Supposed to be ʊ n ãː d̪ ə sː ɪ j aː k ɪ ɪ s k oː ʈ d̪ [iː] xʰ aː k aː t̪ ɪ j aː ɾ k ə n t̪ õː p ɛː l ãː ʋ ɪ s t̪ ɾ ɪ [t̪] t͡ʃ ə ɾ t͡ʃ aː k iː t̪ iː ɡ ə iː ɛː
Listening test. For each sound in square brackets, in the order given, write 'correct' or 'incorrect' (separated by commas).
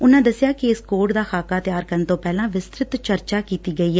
incorrect, correct